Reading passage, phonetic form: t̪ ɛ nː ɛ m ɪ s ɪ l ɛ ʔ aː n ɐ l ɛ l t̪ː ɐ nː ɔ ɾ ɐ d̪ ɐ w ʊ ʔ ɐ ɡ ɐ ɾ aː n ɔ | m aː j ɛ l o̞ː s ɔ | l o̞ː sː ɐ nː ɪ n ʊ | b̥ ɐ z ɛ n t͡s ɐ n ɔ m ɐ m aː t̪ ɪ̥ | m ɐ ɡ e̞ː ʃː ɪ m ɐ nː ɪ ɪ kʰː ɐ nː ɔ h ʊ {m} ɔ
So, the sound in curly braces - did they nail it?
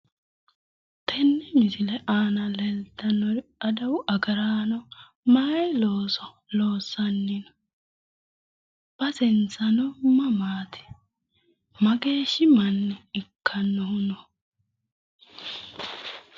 no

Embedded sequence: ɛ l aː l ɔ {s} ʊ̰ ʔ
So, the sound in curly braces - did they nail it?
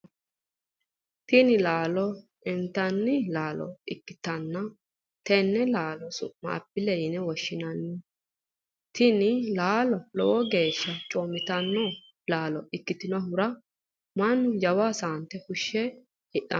yes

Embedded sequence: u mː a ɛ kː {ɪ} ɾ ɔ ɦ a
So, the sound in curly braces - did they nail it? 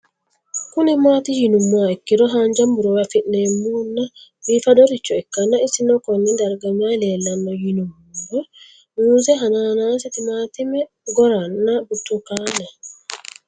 no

